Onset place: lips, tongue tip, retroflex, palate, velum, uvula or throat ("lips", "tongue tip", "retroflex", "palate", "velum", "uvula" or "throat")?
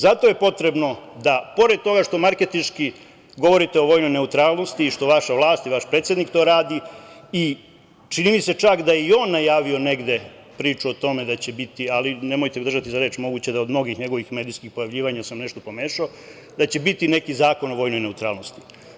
tongue tip